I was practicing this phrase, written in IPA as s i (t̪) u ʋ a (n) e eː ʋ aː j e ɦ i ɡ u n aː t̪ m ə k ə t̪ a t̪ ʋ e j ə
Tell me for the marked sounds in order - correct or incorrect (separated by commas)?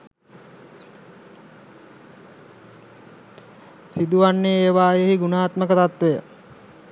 incorrect, incorrect